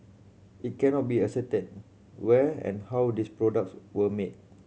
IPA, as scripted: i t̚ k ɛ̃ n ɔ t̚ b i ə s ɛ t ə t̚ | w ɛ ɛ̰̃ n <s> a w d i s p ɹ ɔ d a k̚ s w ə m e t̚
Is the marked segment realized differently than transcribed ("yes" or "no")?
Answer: yes